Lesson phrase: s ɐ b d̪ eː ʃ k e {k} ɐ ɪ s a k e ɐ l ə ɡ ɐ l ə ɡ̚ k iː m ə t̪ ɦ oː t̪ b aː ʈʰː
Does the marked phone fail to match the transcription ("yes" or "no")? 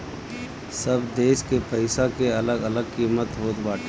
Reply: yes